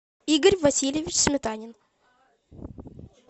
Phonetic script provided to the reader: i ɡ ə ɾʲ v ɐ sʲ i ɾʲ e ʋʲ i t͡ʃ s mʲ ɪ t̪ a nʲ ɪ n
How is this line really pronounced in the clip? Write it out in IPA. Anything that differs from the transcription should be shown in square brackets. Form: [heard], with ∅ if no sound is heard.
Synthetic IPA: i ɡ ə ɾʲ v ɐ sʲ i [lʲ] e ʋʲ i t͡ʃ s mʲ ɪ t̪ a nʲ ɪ n

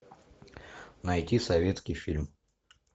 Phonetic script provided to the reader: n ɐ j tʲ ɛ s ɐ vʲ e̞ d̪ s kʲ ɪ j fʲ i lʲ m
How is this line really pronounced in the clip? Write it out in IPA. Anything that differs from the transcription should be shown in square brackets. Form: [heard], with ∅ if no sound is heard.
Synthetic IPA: n ɐ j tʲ [i] s ɐ vʲ e̞ [t̪] s kʲ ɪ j fʲ i lʲ m

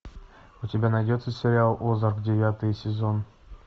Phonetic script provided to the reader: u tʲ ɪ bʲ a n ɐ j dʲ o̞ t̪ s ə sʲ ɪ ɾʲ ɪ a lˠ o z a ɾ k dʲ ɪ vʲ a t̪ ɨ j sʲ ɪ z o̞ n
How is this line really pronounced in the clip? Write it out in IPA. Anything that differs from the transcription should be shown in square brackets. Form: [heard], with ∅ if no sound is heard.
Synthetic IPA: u tʲ ɪ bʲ a n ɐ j dʲ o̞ t̪ s ə sʲ ɪ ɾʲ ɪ a lˠ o z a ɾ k dʲ ɪ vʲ a t̪ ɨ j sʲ ɪ z o̞ n

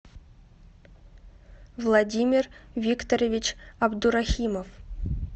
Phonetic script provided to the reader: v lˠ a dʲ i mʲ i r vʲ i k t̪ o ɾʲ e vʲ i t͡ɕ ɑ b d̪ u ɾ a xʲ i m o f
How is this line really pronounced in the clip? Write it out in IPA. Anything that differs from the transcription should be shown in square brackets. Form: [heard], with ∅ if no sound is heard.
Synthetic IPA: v lˠ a dʲ i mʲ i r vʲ i k t̪ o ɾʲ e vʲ i t͡ɕ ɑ b d̪ u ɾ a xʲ i m o f

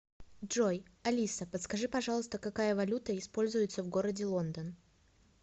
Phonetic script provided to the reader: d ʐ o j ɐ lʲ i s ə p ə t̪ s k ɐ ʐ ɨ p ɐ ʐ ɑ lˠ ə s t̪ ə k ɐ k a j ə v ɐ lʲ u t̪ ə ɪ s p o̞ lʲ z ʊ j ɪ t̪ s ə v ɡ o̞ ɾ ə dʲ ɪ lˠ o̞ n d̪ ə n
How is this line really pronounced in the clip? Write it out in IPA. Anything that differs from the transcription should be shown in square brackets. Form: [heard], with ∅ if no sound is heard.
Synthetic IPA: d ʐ o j ɐ lʲ i s ə p ə t̪ s k ɐ ʐ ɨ p ɐ ʐ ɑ lˠ ə s t̪ ə k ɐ k a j ə v ɐ lʲ u t̪ ə ɪ s p o̞ lʲ z ʊ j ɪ t̪ s ə v ɡ o̞ ɾ ə dʲ ɪ lˠ o̞ n d̪ ə n

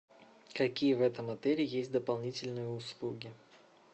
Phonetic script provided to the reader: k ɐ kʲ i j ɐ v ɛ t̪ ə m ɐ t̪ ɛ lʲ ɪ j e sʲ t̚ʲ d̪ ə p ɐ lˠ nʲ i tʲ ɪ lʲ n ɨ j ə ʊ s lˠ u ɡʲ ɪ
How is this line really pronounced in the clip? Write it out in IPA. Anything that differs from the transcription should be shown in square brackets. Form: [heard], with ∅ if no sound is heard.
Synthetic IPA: k ɐ kʲ i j [ə] v ɛ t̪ ə m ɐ t̪ ɛ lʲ ɪ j e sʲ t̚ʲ d̪ ə p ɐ lˠ nʲ i tʲ ɪ lʲ n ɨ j ə ʊ s lˠ u ɡʲ ɪ

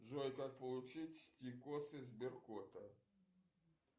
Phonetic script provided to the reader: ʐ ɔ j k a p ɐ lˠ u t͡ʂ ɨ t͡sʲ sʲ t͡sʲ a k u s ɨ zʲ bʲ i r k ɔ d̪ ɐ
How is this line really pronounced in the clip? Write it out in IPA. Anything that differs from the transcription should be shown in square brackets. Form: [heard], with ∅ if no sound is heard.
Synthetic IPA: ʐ ɔ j k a p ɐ lˠ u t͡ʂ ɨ t͡sʲ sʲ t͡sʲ [i] k [ɔ] s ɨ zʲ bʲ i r k ɔ [t̪] ɐ

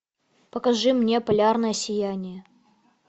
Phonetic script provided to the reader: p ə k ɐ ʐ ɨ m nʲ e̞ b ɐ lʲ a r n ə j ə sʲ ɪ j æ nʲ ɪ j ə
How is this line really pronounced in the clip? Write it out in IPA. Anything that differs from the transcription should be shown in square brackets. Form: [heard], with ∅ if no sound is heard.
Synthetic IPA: p ə k ɐ ʐ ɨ m nʲ e̞ [p] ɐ lʲ a r n ə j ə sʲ ɪ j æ nʲ ɪ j ə

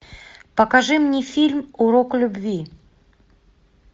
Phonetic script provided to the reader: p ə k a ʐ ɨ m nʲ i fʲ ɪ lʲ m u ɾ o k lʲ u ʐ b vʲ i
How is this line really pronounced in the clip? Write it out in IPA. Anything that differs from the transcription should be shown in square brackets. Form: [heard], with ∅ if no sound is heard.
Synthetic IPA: p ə k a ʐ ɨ m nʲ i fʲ [i] lʲ m u ɾ o k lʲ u [∅] b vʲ i

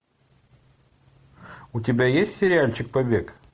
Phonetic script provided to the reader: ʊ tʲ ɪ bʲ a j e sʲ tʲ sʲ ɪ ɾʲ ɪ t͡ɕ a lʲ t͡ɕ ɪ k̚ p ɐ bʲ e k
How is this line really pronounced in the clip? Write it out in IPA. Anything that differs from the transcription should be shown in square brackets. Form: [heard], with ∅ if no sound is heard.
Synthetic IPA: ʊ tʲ ɪ bʲ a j e sʲ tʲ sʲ ɪ ɾʲ ɪ [∅] a lʲ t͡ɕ ɪ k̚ p ɐ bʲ e k

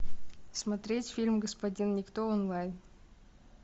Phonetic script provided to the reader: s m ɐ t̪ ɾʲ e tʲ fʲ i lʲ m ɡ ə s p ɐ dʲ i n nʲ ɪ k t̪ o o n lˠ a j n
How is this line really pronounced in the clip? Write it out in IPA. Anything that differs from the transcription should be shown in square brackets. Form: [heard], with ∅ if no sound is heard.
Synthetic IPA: s m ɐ t̪ ɾʲ e tʲ fʲ i lʲ m ɡ ə s p ɐ dʲ i n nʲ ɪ k t̪ o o n lˠ a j n

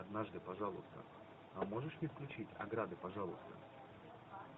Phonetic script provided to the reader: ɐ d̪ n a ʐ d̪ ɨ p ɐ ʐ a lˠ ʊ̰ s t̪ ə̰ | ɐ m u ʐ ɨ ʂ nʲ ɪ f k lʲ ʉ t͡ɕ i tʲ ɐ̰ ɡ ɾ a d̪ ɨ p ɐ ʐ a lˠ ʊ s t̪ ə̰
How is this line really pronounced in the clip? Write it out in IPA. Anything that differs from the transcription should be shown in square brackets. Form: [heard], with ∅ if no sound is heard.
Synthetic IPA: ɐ d̪ n a ʐ d̪ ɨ p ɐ ʐ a lˠ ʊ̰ s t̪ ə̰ | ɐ m [o] ʐ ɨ ʂ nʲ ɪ f k lʲ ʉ t͡ɕ i tʲ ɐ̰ ɡ ɾ a d̪ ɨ p ɐ ʐ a lˠ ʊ s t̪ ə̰

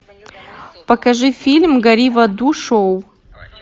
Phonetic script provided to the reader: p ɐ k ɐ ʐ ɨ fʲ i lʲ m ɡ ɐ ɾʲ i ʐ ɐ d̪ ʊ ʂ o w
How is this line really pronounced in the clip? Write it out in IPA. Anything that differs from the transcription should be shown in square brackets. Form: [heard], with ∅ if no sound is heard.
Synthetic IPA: p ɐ k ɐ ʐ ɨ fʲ i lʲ m ɡ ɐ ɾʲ i [v] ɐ d̪ [u] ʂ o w

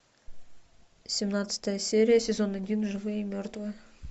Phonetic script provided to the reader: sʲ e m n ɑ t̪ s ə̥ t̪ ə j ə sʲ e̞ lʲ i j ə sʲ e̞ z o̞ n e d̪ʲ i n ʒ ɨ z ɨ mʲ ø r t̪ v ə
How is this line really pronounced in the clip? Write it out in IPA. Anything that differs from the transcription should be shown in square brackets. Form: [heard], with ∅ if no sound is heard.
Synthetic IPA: sʲ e m n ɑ t̪ s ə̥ t̪ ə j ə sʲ e̞ [ɾʲ] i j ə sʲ e̞ z o̞ n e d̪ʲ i n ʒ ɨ [v] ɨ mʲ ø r t̪ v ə

